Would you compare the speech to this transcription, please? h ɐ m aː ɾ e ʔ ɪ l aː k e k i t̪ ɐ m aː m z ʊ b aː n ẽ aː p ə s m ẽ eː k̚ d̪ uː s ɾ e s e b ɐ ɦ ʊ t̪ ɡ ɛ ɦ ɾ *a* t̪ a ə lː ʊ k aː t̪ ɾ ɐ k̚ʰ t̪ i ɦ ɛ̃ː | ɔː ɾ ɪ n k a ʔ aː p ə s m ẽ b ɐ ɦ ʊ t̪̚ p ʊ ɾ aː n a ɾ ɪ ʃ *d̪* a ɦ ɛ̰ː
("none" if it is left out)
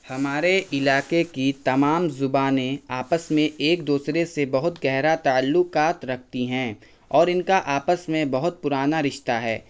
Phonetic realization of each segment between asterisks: a, t̪

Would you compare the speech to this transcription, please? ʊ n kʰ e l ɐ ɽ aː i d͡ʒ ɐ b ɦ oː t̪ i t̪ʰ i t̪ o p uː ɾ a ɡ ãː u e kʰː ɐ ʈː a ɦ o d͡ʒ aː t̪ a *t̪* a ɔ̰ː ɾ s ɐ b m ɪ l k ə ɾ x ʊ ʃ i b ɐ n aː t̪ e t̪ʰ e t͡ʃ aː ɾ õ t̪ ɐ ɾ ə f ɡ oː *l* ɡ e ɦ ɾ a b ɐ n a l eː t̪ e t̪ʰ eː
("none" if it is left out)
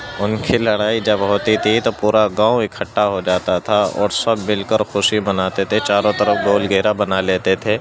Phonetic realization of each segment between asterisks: t̪ʰ, l

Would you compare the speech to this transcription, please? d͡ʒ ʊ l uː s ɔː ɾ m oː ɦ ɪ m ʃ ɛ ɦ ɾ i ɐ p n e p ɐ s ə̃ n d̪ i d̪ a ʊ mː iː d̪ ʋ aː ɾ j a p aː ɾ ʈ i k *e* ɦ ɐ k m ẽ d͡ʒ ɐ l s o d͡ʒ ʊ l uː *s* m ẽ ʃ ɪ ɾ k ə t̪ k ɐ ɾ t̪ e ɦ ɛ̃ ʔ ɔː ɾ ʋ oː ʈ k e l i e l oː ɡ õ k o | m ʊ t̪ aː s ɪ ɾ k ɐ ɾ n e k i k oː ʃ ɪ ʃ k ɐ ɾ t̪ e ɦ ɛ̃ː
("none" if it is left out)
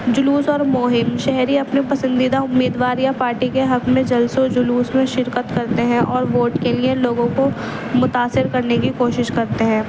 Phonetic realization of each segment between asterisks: e, s

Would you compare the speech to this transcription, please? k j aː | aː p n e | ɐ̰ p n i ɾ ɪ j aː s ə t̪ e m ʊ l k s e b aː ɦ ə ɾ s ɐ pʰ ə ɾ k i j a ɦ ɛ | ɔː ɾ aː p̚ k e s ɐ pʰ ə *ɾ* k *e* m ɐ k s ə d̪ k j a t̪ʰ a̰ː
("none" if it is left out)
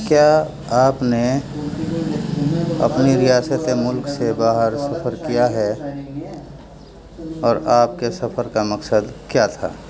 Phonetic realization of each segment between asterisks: ɾ, a

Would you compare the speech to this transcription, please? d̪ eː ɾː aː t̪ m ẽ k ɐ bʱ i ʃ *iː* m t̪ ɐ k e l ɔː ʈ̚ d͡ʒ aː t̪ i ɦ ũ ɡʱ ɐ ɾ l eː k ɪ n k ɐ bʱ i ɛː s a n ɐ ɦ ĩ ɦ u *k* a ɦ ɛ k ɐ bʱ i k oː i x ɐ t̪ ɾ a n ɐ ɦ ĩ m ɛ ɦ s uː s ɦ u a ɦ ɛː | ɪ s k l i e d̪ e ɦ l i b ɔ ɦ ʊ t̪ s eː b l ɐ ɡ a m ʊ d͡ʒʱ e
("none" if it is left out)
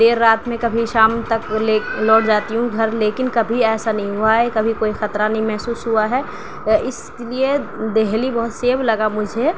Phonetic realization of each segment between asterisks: aː, none

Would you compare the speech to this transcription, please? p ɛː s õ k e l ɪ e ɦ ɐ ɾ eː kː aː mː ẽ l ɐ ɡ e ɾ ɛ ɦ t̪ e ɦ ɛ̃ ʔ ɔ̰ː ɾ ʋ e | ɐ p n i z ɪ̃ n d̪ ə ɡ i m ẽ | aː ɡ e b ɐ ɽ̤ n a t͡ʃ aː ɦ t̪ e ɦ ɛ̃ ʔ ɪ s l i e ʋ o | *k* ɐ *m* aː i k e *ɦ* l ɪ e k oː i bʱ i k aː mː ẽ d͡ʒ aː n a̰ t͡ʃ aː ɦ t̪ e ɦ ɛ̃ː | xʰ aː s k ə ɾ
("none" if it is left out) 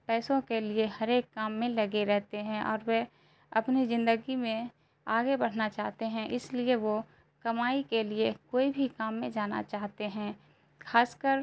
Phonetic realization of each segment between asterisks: k, m, none

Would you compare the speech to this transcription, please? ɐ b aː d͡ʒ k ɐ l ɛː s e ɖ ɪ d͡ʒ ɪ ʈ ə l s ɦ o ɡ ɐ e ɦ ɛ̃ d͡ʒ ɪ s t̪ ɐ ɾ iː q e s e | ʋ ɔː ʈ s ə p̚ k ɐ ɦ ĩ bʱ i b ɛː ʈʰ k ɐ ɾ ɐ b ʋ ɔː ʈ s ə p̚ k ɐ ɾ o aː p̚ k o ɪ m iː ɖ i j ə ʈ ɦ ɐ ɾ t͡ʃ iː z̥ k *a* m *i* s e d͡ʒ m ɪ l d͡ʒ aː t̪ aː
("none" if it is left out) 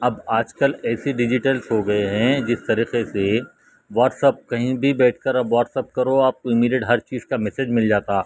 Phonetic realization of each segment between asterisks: a, ɛ

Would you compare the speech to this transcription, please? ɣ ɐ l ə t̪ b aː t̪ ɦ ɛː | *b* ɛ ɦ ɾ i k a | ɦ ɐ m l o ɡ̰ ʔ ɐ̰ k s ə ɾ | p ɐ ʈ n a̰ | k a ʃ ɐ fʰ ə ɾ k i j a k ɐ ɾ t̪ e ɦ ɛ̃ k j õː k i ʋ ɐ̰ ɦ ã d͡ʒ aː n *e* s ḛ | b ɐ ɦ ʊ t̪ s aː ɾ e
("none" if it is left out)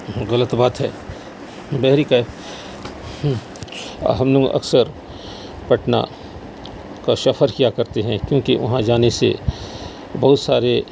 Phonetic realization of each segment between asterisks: b, e

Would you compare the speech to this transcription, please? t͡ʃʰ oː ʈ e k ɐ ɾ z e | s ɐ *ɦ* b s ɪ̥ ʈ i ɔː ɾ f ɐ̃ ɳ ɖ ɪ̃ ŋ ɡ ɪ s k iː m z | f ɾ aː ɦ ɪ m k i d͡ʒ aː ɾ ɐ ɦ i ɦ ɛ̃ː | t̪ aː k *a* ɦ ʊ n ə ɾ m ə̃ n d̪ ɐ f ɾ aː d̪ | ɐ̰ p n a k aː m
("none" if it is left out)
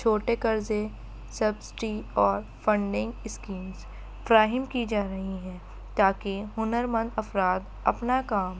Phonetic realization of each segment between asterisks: none, e

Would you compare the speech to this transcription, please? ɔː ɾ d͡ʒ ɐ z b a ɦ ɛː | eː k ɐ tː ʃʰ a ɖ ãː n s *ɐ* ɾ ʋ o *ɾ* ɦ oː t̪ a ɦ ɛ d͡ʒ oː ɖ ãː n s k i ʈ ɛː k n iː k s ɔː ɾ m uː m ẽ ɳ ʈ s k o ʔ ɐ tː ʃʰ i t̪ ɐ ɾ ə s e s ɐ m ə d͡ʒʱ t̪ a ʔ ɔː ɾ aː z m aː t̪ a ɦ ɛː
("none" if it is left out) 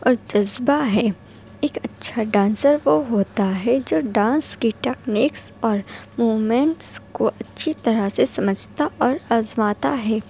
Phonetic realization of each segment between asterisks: ə, none

